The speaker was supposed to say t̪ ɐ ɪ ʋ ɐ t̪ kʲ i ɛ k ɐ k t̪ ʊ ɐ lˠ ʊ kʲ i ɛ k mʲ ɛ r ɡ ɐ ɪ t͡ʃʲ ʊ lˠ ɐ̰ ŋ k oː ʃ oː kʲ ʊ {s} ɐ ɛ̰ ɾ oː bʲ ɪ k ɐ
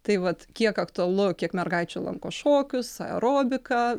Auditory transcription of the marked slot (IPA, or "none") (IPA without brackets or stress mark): s